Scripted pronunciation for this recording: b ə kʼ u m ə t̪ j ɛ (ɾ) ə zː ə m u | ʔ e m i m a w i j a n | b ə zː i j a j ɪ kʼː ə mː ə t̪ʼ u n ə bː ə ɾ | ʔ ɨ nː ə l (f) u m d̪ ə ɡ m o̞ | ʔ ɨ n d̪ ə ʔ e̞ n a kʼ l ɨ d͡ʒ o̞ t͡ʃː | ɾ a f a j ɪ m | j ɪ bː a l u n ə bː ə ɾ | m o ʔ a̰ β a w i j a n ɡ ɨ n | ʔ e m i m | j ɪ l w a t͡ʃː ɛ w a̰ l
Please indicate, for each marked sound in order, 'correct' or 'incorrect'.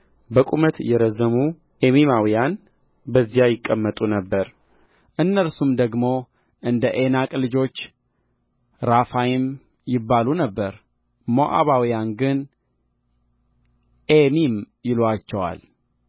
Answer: correct, incorrect

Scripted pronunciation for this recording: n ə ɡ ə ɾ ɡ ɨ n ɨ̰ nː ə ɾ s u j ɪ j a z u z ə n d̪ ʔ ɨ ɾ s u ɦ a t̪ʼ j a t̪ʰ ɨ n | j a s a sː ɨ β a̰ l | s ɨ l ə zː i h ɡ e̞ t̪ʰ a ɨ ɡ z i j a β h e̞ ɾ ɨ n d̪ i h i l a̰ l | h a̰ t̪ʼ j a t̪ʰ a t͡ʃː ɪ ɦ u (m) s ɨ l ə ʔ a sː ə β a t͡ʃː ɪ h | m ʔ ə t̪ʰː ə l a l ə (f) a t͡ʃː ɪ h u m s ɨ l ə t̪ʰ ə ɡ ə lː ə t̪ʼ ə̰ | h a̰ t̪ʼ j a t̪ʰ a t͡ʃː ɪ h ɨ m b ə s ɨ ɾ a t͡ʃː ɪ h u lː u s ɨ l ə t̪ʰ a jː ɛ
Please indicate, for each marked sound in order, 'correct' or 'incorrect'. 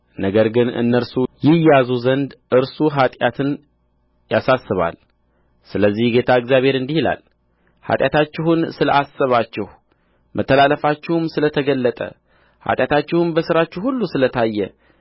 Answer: incorrect, correct

